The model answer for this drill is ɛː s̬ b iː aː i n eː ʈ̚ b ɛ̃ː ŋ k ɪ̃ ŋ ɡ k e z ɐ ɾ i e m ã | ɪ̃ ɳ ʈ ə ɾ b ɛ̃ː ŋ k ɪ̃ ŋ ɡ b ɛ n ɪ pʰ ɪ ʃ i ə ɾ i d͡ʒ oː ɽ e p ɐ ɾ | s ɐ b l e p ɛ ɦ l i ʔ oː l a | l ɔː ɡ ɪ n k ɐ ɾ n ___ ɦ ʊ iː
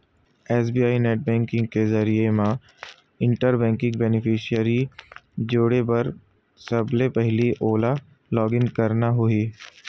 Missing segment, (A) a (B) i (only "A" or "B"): A